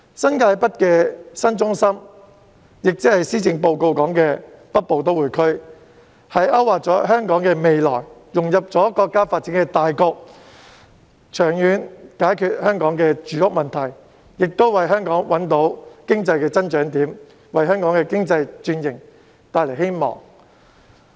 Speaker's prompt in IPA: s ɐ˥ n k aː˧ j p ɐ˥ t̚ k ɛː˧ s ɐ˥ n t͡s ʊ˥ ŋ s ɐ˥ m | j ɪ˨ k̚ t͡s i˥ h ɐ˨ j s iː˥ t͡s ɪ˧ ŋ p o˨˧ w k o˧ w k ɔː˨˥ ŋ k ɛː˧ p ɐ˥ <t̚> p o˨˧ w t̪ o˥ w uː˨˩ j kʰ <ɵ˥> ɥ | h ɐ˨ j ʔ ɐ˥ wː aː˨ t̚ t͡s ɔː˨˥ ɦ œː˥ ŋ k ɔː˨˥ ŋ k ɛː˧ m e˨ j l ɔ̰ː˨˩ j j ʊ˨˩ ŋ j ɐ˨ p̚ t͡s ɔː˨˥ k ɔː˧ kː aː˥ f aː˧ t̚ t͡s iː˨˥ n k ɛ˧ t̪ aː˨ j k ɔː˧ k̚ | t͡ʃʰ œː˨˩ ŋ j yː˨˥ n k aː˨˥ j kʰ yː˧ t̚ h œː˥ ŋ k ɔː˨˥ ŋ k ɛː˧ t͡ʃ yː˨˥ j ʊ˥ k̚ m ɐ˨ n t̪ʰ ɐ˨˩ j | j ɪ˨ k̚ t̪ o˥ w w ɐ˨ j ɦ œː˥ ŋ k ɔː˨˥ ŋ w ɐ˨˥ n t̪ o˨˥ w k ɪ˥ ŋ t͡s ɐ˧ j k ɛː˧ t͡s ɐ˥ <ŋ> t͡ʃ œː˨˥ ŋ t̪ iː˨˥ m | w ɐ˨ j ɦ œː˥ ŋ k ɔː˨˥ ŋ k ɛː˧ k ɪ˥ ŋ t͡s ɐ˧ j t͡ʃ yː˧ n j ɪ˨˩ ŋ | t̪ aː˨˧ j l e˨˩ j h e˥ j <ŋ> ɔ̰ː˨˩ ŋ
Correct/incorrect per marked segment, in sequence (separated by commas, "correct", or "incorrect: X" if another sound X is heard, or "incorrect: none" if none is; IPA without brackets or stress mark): correct, correct, incorrect: n, incorrect: m